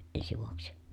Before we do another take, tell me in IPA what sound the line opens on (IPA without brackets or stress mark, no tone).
e